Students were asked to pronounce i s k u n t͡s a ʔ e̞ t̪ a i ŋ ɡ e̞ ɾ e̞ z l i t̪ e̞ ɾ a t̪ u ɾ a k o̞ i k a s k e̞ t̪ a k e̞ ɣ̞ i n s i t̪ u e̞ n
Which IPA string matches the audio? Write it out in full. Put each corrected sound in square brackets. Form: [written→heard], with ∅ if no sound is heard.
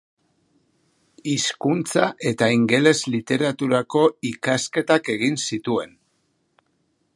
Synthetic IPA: i s k u n t͡s a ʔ e̞ t̪ a i ŋ ɡ e̞ [ɾ→l] e̞ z l i t̪ e̞ ɾ a t̪ u ɾ a k o̞ i k a s k e̞ t̪ a k e̞ ɣ̞ i n s i t̪ u e̞ n